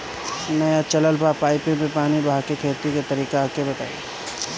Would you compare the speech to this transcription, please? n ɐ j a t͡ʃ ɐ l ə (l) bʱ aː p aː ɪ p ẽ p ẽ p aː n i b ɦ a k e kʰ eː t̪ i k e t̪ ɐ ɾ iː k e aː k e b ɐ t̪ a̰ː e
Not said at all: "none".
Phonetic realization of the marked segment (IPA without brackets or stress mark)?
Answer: l